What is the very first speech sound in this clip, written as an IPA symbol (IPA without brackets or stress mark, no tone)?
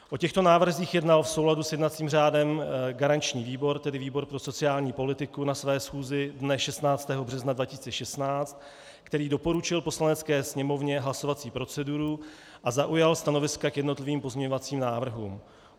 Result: ʔ